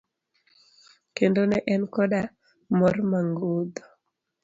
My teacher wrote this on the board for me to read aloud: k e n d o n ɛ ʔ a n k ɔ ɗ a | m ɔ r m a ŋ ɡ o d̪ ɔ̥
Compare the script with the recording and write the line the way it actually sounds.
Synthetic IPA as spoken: k e n d o n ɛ ʔ ɛ n k ɔ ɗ a | m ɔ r m a ŋ ɡ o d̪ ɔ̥